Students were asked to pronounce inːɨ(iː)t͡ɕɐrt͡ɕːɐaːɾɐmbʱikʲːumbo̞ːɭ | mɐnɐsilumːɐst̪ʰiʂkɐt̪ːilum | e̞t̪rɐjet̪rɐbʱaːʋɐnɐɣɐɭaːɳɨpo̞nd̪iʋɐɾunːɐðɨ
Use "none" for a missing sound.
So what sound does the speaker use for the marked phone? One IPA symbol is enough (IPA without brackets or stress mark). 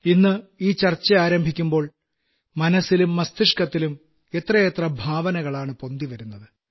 iː